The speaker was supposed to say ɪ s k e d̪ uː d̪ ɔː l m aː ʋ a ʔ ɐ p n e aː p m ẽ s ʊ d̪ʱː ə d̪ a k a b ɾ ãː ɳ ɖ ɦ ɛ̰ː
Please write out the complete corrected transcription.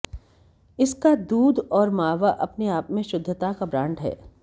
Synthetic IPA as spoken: ɪ s k a d̪ uː d̪ ɔː ɾ m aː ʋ a ʔ ɐ p n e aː p m ẽ ʃ ʊ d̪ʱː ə t̪ a k a b ɾ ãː ɳ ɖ ɦ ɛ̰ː